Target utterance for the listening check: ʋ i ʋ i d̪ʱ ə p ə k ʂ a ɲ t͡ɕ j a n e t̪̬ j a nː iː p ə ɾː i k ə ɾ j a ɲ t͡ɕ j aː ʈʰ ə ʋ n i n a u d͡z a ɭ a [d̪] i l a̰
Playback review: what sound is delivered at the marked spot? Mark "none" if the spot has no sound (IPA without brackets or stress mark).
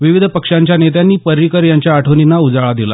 d̪